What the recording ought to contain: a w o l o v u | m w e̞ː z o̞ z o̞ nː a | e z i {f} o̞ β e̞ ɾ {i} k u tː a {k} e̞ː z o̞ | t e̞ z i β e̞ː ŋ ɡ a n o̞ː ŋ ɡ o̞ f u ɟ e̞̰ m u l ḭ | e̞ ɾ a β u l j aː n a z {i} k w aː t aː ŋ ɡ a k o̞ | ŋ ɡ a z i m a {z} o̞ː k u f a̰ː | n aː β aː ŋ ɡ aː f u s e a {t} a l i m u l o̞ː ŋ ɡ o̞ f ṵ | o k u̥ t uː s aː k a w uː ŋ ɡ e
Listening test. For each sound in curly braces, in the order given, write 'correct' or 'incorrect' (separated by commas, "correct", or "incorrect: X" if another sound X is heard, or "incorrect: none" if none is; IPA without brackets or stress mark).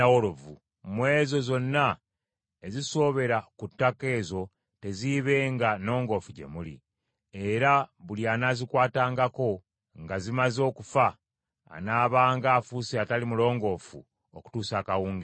incorrect: s, incorrect: a, correct, correct, correct, correct